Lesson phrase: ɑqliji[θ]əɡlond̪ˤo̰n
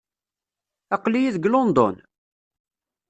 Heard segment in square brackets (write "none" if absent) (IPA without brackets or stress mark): ð